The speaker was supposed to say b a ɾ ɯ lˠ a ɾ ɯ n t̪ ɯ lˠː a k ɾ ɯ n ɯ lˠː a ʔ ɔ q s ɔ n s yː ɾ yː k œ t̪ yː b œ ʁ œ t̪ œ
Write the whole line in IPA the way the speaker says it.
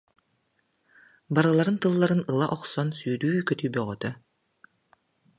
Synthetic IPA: b a ɾ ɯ lˠ a ɾ ɯ n t̪ ɯ lˠː a ɾ ɯ n ɯ lˠ a ʔ ɔ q s ɔ n s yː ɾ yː k œ t̪ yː b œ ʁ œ t̪ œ